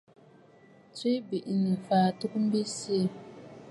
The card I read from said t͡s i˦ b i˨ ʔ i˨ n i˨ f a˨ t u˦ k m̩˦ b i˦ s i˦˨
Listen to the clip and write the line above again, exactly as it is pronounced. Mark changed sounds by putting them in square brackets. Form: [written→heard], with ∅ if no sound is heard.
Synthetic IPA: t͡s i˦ b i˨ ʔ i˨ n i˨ f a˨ t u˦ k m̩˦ b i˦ s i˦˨

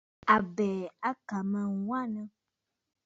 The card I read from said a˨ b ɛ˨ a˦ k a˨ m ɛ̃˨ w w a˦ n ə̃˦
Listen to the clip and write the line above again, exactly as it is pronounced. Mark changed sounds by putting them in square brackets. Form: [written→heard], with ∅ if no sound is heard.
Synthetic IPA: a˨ b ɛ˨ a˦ k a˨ m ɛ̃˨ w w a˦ n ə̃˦

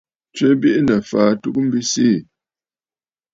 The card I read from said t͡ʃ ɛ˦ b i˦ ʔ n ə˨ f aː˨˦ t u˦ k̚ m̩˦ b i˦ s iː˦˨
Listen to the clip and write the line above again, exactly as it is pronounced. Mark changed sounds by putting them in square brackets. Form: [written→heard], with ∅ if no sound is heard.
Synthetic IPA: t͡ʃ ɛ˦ b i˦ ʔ n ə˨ f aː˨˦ t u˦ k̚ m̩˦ b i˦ s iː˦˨

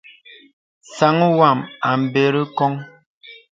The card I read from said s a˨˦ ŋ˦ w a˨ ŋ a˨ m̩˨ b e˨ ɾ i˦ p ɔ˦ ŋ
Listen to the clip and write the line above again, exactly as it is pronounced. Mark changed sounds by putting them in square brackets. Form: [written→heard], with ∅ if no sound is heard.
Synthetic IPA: s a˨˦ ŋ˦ w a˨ [ŋ→m] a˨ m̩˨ b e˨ ɾ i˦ [p→k] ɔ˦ ŋ

